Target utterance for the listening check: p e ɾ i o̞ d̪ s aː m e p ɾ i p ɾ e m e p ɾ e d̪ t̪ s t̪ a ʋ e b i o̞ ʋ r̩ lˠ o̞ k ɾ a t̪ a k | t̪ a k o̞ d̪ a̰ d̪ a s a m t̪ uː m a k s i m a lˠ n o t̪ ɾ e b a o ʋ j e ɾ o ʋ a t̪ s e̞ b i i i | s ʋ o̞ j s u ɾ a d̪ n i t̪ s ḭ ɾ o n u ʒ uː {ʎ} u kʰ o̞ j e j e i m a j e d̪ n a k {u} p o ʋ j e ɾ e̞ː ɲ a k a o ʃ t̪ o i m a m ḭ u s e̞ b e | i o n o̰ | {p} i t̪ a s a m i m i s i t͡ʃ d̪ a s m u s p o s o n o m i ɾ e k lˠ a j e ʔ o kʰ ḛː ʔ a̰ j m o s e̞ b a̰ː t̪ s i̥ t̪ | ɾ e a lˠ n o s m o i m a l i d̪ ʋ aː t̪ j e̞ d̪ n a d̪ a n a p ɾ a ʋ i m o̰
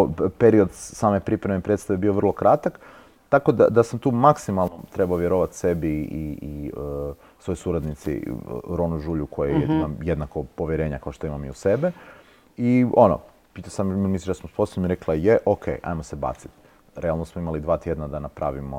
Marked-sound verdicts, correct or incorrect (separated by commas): correct, incorrect, correct